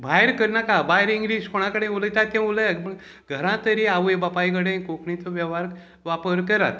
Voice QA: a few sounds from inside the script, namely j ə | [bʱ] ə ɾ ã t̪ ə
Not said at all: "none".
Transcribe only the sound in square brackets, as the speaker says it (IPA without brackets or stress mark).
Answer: ɡʱ